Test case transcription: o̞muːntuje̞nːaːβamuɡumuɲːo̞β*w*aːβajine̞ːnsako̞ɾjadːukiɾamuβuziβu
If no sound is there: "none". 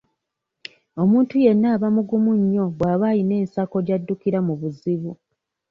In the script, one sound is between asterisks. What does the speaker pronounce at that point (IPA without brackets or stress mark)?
w